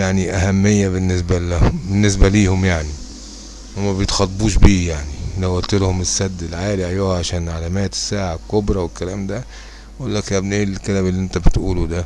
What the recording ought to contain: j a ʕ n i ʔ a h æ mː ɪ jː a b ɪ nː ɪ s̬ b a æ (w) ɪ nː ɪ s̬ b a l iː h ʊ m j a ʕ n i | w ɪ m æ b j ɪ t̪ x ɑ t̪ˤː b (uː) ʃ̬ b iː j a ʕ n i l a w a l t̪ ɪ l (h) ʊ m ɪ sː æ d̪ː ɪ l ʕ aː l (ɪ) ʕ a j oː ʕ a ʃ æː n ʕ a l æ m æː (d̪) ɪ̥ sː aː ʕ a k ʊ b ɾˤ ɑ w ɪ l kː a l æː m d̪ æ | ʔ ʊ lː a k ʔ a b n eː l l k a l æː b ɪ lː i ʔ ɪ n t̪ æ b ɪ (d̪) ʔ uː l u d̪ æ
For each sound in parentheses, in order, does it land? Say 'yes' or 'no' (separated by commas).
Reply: no, yes, yes, no, no, no